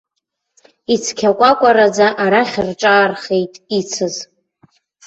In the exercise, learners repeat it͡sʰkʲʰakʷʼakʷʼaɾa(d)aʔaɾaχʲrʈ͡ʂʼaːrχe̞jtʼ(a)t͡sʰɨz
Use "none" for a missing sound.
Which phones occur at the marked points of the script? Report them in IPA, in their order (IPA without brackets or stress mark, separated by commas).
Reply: d͡z, i